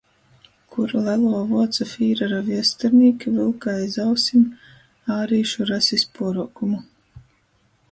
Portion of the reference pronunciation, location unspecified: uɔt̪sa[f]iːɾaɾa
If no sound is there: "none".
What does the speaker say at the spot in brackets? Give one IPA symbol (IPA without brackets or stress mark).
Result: f